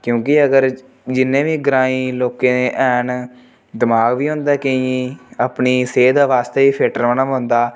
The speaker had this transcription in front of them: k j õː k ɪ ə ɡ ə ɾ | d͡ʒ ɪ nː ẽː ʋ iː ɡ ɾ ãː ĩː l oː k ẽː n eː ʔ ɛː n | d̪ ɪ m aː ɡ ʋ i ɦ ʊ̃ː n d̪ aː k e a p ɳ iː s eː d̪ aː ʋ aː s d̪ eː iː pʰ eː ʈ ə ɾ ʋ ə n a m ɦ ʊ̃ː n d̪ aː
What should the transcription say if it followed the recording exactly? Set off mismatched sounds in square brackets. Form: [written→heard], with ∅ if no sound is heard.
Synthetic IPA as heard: k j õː k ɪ ə ɡ ə ɾ | d͡ʒ ɪ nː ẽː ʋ iː ɡ ɾ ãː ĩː l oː k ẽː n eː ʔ ɛː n | d̪ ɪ m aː ɡ ʋ [i→iː] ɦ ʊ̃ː n d̪ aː k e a p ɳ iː s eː d̪ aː ʋ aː s [d̪→t̪] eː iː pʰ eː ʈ ə ɾ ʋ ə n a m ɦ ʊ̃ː n d̪ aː